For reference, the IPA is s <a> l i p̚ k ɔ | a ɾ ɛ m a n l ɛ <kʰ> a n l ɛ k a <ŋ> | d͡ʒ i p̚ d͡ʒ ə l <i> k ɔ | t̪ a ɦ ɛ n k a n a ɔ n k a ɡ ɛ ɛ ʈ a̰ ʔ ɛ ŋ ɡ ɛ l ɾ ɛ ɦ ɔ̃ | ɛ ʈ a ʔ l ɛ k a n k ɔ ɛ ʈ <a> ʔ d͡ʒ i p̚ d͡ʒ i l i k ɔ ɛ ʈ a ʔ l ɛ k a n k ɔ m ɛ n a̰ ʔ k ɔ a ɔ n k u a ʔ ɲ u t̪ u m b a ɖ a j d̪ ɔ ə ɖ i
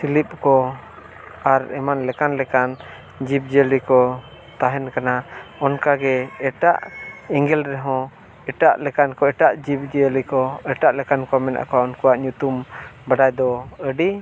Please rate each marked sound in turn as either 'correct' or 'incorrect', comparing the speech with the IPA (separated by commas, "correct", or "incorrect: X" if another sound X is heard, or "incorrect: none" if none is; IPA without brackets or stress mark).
incorrect: i, incorrect: k, incorrect: n, correct, correct